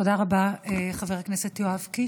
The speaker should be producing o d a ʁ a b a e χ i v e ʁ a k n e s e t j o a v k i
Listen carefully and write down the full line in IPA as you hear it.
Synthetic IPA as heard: o d a ʁ a b a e χ a v e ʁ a k n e s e t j o a v k i